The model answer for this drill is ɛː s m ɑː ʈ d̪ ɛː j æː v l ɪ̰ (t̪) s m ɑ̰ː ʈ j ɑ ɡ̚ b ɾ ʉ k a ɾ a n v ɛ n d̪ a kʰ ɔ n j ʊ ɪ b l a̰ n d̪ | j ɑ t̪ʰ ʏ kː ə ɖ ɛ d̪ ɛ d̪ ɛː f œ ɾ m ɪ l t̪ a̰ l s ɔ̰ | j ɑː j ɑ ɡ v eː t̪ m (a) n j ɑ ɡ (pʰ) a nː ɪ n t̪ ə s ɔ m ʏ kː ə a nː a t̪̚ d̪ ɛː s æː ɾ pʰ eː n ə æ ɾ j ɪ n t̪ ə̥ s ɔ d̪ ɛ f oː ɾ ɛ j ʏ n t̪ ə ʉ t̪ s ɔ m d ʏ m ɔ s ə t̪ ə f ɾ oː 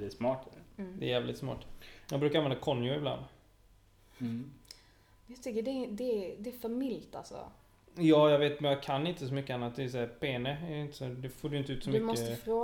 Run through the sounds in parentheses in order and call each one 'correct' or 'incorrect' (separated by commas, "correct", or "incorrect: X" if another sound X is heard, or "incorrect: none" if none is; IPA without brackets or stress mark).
correct, incorrect: ɛ, incorrect: kʰ